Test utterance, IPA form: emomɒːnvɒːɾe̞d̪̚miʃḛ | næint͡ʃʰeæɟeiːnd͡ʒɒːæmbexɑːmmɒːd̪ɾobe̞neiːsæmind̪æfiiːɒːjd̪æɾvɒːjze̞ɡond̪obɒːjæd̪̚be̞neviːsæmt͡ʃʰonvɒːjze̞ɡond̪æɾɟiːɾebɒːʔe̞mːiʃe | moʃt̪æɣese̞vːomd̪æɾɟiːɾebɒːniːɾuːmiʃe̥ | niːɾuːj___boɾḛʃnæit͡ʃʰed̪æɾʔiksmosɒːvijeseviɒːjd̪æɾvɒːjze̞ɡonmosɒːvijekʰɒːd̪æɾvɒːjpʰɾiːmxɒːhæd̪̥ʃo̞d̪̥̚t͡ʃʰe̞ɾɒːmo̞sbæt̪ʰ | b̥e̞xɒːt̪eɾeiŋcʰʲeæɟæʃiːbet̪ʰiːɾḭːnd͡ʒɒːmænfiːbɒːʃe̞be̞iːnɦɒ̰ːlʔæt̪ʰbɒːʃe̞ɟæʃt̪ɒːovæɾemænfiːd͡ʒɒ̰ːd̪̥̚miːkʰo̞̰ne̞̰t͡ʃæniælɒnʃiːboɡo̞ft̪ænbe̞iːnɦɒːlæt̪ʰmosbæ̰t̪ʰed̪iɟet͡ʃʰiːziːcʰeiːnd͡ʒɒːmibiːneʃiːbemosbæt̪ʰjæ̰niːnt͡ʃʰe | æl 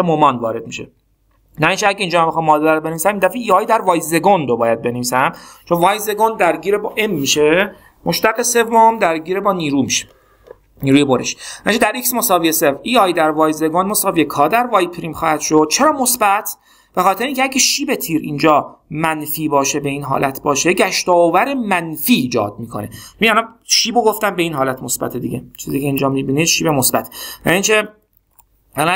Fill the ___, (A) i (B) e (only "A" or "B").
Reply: B